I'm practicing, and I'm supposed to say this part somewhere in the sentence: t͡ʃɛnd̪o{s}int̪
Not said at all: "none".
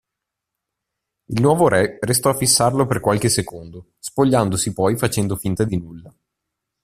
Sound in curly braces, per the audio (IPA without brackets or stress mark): f